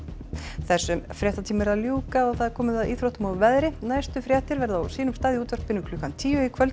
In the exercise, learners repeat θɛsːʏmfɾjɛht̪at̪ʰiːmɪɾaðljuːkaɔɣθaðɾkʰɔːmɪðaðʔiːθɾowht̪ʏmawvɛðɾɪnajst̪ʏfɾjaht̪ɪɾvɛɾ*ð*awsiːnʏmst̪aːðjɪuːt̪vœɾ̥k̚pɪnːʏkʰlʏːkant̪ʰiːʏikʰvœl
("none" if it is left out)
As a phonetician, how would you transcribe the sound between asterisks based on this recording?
ð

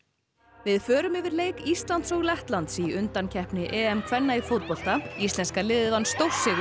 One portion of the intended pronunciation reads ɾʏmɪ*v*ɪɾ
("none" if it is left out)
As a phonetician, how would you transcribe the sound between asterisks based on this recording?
v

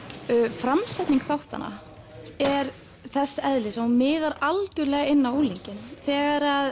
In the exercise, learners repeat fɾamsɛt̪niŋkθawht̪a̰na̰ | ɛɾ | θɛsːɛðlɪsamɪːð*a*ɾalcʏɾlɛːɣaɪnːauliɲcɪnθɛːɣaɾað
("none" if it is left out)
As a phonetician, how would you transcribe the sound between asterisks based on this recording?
a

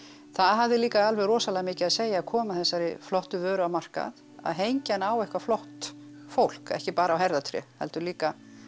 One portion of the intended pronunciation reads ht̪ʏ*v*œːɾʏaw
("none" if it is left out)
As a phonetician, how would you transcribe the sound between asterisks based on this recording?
v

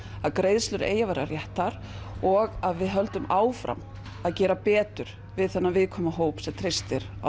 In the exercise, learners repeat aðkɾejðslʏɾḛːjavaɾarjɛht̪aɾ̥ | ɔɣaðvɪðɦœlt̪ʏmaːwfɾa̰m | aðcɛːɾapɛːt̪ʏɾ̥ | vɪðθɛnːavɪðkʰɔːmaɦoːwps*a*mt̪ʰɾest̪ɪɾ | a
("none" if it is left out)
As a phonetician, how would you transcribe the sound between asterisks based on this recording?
ɛ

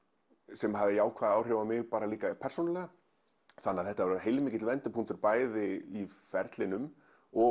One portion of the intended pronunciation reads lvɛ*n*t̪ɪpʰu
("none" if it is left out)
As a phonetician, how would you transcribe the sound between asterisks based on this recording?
n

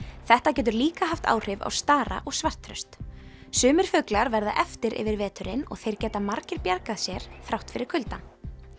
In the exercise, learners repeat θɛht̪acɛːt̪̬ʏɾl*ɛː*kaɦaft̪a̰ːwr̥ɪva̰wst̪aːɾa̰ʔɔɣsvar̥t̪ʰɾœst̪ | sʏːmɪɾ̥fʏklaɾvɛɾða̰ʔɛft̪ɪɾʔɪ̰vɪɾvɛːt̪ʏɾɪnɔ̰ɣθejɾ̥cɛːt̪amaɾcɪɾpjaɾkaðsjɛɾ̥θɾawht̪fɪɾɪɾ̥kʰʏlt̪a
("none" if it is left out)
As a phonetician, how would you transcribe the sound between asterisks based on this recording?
iː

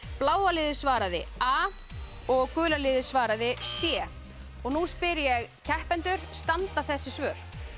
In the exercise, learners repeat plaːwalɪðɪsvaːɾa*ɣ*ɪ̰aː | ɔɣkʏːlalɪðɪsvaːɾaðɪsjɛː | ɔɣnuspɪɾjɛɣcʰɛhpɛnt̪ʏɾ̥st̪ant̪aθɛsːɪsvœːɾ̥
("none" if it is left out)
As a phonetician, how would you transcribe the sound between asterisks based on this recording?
ð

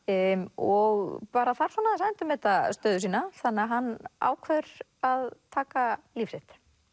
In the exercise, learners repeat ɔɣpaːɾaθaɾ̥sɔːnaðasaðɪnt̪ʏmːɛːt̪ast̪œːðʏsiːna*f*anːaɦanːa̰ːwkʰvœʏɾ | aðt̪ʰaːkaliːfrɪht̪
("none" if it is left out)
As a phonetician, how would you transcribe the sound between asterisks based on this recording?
θ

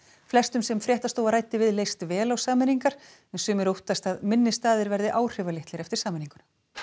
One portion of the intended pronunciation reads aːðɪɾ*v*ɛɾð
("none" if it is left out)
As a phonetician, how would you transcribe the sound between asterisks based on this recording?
v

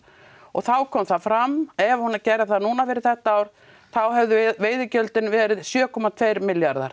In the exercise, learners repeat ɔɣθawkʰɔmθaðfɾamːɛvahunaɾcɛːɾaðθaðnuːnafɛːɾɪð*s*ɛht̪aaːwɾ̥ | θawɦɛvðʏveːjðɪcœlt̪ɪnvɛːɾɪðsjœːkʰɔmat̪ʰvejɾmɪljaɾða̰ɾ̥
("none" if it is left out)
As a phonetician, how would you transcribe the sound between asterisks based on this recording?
θ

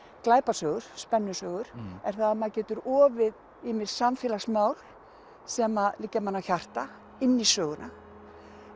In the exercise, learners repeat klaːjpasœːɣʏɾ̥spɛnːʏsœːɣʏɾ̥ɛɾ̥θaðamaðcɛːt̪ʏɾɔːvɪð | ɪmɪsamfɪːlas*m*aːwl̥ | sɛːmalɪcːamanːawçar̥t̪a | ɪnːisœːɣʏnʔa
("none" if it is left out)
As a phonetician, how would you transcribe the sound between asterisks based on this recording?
m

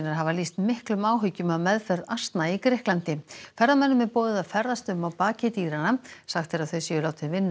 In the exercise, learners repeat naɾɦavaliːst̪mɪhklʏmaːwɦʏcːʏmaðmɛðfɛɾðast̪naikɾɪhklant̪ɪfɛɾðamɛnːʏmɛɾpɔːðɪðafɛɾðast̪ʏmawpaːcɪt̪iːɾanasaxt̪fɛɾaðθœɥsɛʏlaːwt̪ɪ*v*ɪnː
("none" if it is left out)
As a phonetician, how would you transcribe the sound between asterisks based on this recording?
v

